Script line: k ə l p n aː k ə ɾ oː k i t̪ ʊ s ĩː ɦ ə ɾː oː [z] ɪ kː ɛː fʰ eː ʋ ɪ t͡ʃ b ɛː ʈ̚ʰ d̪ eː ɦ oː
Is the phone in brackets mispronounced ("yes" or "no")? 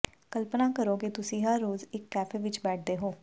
no